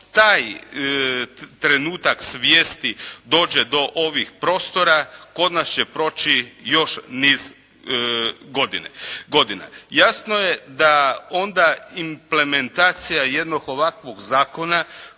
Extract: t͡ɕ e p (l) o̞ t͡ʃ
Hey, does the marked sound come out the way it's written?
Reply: no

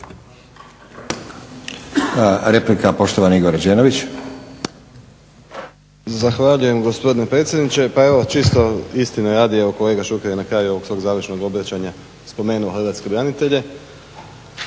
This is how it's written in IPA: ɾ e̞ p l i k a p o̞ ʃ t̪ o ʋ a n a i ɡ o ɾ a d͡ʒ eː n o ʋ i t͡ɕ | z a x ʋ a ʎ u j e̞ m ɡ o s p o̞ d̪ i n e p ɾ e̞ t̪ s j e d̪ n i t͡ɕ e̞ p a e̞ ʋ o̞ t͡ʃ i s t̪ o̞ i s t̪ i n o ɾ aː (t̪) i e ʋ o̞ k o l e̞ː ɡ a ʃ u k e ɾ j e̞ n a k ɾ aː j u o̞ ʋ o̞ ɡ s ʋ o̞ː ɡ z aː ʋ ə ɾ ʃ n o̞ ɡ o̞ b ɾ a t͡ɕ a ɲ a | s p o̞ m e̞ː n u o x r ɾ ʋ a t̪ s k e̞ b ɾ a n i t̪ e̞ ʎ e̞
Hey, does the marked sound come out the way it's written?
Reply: no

